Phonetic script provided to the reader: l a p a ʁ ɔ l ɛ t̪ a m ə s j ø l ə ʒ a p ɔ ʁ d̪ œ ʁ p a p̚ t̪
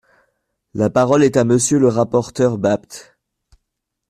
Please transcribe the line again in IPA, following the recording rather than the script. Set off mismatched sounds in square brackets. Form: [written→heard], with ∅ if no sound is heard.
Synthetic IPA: l a p a ʁ ɔ l ɛ t̪ a m ə s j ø l ə [ʒ→ʁ] a p ɔ ʁ [d̪→t̪] œ ʁ [p→b] a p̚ t̪